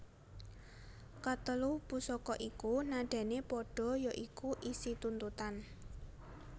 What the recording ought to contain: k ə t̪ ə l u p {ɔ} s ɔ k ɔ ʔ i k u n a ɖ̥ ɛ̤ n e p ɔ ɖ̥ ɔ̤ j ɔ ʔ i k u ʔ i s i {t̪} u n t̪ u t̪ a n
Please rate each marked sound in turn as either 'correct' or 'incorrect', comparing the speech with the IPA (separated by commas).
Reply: incorrect, correct